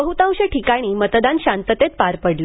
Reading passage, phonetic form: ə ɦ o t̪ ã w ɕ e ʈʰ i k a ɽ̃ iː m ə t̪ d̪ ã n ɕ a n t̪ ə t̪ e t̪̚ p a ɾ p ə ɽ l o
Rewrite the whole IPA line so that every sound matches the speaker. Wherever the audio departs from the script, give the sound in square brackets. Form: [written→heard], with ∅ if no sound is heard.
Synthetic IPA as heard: ə ɦ [o→u] t̪ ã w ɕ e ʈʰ i k a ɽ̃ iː m ə t̪ d̪ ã n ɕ a n t̪ ə t̪ e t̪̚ p a ɾ p ə ɽ l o